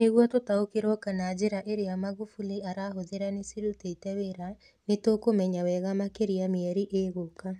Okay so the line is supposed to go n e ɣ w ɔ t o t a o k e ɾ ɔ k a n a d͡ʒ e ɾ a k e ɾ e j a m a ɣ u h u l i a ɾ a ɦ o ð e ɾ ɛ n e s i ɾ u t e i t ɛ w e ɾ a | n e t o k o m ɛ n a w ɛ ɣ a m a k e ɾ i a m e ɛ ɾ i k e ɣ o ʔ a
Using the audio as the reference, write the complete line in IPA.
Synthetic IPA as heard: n e ɣ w ɔ t o t a o k e ɾ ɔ k a n a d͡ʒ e ɾ a ʔ e ɾ e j a m a ɣ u f u l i a ɾ a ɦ o ð e ɾ a n e s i ɾ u t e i t ɛ w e ɾ a | n e t o k o m ɛ ɲ a w ɛ ɣ a m a k e ɾ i a m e ɛ ɾ i ʔ e ɣ o k a